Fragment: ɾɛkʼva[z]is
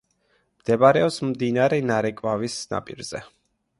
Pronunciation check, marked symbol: incorrect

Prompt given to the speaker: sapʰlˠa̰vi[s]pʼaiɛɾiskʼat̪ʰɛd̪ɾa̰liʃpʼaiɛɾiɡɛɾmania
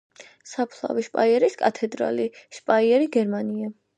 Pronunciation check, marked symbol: incorrect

